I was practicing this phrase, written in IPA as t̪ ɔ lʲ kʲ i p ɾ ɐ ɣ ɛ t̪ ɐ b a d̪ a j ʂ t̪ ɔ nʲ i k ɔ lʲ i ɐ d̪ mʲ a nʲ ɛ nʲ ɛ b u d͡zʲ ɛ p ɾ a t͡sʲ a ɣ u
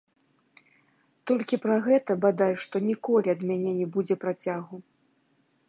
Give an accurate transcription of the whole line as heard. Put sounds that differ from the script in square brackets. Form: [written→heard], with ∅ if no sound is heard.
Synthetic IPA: t̪ ɔ lʲ kʲ i p ɾ ɐ ɣ ɛ t̪ ɐ b a d̪ a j ʂ t̪ ɔ nʲ i k ɔ lʲ i ɐ d̪ mʲ a nʲ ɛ nʲ ɛ b u d͡zʲ ɛ p ɾ a t͡sʲ a ɣ u